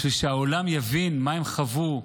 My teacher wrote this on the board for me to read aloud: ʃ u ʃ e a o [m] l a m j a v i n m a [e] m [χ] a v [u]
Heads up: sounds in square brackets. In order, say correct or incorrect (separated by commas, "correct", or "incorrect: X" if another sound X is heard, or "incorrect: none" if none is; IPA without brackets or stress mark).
incorrect: none, correct, correct, correct